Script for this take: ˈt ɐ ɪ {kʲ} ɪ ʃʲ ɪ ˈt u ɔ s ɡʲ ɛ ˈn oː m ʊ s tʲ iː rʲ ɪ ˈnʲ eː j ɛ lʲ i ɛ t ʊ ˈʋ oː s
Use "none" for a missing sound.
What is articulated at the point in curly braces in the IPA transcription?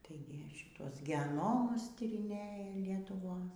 ɡʲ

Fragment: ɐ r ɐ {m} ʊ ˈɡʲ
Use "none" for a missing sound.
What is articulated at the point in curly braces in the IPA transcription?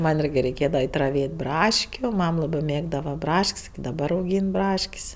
none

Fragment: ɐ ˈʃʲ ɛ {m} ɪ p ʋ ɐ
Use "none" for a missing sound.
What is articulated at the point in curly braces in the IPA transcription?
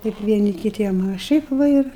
none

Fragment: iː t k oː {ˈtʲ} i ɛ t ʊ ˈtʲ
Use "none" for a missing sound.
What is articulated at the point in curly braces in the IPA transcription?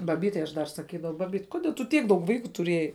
dʲ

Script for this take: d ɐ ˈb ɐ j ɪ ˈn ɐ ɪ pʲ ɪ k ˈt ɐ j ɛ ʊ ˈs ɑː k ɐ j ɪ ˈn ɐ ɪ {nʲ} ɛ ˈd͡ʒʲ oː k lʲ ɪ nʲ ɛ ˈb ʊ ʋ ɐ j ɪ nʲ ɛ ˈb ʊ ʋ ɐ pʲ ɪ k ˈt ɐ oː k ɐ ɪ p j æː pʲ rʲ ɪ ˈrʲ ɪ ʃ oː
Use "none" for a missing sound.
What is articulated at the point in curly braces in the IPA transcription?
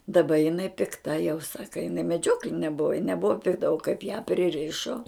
mʲ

